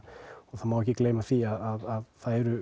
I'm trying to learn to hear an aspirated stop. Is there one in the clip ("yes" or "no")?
no